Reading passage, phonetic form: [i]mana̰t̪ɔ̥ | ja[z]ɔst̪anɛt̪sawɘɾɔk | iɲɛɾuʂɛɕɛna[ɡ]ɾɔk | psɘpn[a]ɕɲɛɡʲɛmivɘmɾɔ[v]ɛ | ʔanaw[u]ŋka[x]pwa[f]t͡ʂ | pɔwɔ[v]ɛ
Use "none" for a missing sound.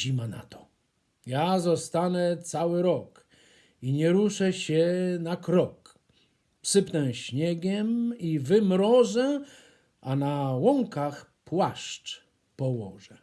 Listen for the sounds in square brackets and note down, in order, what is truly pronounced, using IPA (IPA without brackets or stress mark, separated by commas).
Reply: i, z, k, ɛ, ʐ, ɔ, x, ʂ, ʐ